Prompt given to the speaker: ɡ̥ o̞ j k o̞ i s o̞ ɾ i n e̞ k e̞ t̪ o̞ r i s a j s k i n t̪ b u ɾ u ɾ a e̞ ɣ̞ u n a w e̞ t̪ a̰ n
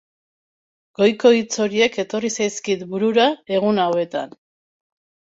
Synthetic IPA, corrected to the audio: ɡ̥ o̞ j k o̞ i t͡s o̞ ɾ i e̞ k e̞ t̪ o̞ r i s a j s k i t̪ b u ɾ u ɾ a e̞ ɣ̞ u n a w e̞ t̪ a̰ n